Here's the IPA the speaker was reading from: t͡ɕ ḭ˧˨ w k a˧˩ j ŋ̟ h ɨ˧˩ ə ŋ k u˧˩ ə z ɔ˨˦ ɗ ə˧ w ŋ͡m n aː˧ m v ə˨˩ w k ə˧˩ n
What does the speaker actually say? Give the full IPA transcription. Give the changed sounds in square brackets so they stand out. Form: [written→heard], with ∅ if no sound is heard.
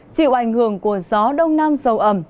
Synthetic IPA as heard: t͡ɕ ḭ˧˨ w [k→ʔ] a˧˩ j ŋ̟ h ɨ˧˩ ə ŋ k u˧˩ ə z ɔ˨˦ ɗ ə˧ w ŋ͡m n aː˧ m [v→z] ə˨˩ w [k→ʔ] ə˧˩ [n→m]